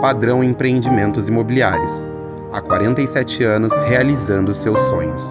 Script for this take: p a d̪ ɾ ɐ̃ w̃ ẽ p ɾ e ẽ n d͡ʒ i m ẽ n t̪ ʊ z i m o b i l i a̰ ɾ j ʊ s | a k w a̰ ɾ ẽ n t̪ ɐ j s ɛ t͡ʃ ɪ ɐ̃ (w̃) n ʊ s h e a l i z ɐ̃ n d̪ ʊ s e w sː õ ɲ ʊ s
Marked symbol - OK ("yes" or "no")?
no